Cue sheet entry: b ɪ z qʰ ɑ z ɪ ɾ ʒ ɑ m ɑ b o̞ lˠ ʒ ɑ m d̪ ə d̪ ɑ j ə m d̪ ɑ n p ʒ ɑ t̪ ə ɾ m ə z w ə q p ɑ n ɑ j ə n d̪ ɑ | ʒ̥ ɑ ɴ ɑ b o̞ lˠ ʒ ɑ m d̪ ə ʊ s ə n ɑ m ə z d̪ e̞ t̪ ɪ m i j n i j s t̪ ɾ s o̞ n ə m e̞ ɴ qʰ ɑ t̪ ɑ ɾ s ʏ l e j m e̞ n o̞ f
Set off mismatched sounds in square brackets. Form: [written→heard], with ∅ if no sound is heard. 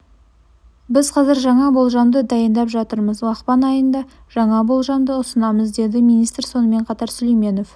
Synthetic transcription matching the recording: b ɪ z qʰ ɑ z ɪ ɾ ʒ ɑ [m→ɴ] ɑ b o̞ lˠ ʒ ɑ m d̪ ə d̪ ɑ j ə [m→n] d̪ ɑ [n→∅] p ʒ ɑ t̪ ə ɾ m ə z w [ə→ɑ] q p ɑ n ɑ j ə n d̪ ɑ | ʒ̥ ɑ ɴ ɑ b o̞ lˠ ʒ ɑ m d̪ ə ʊ s ə n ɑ m ə z d̪ e̞ [t̪→d̪] ɪ m i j n i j s t̪ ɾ s o̞ n ə m e̞ ɴ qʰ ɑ t̪ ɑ ɾ s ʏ l e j m e̞ n o̞ f